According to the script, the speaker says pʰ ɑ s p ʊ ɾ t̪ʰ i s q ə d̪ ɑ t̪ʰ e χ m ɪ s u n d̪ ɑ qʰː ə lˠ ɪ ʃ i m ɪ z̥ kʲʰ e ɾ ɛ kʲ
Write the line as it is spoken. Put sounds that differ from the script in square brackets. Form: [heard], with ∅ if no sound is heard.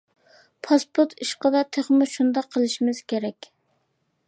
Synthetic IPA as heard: pʰ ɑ s p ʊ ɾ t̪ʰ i [ʃ] q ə d̪ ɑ t̪ʰ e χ m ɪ [ʃ] u n d̪ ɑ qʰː ə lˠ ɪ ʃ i m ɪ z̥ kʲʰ e ɾ ɛ kʲ

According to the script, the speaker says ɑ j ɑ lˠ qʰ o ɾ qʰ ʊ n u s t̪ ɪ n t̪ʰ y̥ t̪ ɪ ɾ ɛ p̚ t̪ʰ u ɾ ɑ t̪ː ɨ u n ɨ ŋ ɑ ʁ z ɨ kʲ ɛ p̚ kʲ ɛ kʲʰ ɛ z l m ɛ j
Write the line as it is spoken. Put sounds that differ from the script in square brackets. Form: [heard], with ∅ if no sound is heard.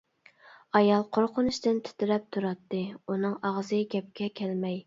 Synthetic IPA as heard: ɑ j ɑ lˠ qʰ o ɾ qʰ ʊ n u [ʃ] t̪ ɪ n t̪ʰ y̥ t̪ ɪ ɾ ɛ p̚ t̪ʰ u ɾ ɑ t̪ː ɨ u n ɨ ŋ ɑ ʁ z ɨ [ɡʲ] ɛ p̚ kʲ ɛ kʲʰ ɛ [∅] l m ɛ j

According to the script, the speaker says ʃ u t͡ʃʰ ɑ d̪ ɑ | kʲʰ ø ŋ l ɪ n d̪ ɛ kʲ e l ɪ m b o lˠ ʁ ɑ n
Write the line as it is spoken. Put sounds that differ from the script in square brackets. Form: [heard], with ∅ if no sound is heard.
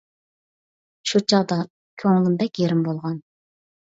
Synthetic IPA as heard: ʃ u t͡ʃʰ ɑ d̪ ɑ | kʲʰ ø ŋ l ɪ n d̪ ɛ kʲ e [ɾ] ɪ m b o lˠ ʁ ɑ n

